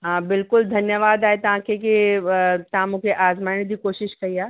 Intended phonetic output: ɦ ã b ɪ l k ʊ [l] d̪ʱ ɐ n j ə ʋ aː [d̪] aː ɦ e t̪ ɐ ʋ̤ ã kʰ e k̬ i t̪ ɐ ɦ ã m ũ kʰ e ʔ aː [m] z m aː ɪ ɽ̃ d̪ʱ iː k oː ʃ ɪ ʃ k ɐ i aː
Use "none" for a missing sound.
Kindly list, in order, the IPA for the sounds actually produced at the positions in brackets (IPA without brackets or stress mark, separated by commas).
l, d̪, none